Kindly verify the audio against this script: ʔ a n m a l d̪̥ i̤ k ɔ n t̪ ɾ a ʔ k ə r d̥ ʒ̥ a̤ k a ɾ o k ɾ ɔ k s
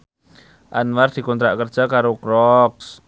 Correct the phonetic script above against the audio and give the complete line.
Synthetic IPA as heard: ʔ a n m a r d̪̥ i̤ k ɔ n t̪ ɾ a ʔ k ə r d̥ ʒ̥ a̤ k a ɾ o k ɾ ɔ k s